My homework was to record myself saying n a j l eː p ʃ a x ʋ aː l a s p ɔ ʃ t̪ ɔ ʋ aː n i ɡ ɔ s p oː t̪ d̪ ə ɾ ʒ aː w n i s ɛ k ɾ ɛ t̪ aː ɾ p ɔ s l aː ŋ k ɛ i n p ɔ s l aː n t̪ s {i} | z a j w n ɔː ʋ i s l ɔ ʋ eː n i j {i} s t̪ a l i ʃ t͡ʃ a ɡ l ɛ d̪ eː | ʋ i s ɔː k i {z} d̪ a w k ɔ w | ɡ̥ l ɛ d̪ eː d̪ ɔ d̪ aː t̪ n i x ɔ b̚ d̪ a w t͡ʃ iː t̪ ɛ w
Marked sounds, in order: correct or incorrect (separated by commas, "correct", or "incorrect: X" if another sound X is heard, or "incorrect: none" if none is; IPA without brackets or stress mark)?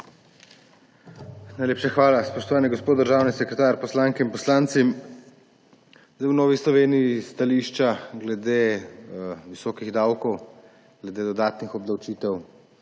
correct, correct, incorrect: ɣ